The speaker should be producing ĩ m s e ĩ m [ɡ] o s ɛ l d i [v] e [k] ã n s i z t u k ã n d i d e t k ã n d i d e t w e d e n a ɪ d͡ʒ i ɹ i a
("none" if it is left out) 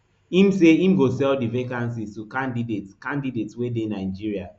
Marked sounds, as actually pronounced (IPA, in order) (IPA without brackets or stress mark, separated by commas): ɡ, v, k